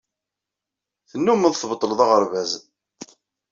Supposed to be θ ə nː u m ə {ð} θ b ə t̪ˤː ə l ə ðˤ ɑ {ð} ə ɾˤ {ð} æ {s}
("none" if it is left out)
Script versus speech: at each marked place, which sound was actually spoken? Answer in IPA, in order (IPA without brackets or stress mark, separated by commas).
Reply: ð, ʁ, v, z